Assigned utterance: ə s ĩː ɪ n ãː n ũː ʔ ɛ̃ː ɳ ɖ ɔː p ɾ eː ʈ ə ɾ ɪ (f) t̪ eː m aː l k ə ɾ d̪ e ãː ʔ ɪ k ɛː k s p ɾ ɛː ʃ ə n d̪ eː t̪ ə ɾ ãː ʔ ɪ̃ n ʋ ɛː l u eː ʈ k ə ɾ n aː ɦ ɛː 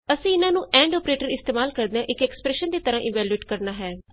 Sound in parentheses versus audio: incorrect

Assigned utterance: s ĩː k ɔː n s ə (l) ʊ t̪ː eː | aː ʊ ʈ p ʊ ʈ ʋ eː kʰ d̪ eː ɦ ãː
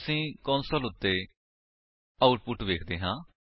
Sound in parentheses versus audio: correct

